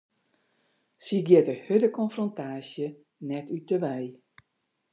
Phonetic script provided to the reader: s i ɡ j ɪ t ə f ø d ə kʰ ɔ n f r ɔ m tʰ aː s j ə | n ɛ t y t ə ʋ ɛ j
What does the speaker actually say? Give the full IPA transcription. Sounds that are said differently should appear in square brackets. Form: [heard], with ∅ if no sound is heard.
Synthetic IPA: s i ɡ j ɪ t ə [h] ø d ə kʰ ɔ n f r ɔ [n] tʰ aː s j ə | n ɛ t y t ə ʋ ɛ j